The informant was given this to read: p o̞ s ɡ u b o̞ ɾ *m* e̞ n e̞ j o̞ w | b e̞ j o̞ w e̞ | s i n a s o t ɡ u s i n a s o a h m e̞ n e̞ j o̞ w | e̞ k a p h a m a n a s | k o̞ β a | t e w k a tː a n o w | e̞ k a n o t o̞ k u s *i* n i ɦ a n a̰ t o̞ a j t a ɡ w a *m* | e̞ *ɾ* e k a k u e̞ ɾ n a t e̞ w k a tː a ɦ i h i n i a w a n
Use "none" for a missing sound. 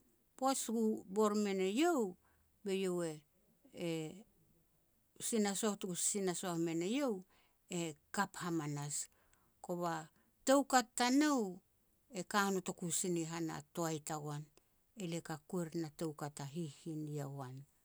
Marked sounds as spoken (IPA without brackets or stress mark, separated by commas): m, i, n, l